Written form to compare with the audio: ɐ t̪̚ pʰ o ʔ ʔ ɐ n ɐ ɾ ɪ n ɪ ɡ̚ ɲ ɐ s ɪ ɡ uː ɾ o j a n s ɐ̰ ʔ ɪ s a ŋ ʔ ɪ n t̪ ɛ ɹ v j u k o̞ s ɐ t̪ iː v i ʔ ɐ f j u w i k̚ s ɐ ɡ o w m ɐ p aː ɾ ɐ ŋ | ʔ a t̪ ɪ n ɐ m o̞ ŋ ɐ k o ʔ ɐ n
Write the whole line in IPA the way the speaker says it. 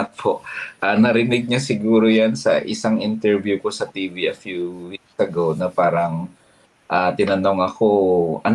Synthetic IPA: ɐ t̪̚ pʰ o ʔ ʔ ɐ n ɐ ɾ ɪ n ɪ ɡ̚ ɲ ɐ s ɪ ɡ uː ɾ o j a n s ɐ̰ ʔ ɪ s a ŋ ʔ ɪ n t̪ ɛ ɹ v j u k o̞ s ɐ t̪ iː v i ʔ ɐ f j u w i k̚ s ɐ ɡ o w n ɐ p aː ɾ ɐ ŋ | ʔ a t̪ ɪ n ɐ n o̞ ŋ ɐ k o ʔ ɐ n